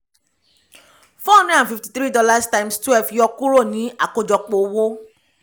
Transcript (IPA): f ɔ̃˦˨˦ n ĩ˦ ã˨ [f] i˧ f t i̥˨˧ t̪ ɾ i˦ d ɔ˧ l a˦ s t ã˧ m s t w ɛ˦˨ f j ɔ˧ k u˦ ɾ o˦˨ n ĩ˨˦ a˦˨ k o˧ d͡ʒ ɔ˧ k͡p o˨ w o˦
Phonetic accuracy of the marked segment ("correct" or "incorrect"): correct